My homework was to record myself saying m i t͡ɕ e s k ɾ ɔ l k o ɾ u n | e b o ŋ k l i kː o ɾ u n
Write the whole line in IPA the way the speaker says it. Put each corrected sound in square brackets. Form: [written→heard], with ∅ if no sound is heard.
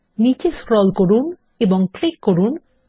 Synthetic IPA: [m→n] i t͡ɕ e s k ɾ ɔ l k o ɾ u n | e b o ŋ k l i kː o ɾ u n